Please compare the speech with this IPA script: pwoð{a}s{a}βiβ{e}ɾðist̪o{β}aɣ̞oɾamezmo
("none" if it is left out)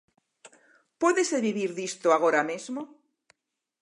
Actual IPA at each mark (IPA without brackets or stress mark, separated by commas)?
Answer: e, e, i, none